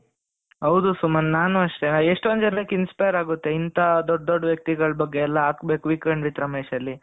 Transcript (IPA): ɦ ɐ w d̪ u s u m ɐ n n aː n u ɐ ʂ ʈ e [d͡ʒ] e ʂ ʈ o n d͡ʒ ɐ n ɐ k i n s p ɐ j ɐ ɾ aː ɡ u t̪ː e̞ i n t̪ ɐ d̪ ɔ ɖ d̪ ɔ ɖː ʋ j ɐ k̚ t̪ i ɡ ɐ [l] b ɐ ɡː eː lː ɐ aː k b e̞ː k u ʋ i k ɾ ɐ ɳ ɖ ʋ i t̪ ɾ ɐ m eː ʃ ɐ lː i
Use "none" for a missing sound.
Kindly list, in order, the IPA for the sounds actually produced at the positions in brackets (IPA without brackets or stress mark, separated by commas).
none, ɭ